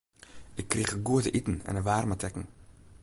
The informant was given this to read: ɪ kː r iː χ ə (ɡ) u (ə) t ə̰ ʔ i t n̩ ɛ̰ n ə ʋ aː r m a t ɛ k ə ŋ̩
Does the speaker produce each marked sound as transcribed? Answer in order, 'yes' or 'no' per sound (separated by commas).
yes, yes